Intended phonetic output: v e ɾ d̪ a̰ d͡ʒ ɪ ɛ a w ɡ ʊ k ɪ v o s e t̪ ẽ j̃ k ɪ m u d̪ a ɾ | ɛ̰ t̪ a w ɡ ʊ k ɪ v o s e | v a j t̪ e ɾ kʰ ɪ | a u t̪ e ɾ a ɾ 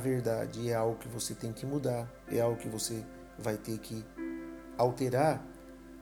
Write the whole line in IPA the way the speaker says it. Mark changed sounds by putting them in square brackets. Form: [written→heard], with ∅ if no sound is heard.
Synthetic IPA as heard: v e ɾ d̪ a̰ d͡ʒ ɪ ɛ a w ɡ ʊ k ɪ v o s e t̪ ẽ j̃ k ɪ m u d̪ a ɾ | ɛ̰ [t̪→∅] a w ɡ ʊ k ɪ v o s e | v a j t̪ e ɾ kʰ ɪ | a [u→w] t̪ e ɾ a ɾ